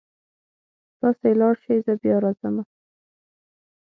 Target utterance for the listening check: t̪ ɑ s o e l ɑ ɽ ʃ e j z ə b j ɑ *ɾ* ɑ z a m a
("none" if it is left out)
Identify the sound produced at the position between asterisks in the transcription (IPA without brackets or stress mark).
ɾ